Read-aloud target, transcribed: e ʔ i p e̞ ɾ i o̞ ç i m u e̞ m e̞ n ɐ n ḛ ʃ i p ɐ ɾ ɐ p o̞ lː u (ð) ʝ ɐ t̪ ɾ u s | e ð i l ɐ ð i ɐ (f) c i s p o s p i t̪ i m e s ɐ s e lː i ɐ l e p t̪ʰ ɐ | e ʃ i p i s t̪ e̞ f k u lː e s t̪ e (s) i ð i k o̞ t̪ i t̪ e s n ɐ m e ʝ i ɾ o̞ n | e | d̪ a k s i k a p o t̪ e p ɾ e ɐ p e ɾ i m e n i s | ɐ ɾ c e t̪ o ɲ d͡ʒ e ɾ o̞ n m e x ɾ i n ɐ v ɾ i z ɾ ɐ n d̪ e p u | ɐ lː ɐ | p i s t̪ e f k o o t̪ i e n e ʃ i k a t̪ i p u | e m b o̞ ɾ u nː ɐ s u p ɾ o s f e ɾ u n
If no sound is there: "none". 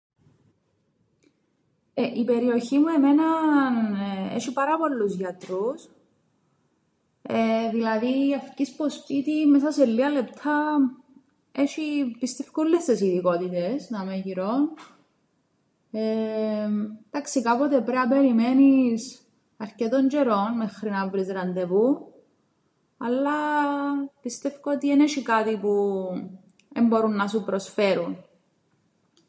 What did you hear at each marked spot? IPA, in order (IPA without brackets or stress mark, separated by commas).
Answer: z, f, s